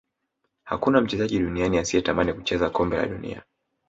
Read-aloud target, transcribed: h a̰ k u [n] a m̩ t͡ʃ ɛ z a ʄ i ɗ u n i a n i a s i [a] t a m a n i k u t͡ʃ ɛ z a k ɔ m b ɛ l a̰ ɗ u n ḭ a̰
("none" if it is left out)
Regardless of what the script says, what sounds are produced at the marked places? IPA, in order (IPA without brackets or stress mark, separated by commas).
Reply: n, ɛ